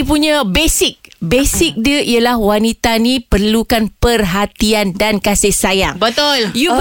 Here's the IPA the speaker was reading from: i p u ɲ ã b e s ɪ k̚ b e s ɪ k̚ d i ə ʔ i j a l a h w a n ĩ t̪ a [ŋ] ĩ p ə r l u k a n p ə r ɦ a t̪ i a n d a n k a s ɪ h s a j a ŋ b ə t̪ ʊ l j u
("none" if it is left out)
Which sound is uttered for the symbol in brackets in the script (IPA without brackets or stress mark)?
n